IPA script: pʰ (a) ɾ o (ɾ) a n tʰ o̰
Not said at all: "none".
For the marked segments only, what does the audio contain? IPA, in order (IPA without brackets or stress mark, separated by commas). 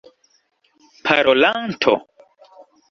a, l